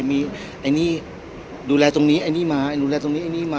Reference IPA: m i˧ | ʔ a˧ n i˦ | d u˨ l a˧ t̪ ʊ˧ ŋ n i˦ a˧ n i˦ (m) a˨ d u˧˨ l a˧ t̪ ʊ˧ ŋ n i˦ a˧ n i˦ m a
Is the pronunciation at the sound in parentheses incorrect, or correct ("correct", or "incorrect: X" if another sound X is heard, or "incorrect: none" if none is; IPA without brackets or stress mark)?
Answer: correct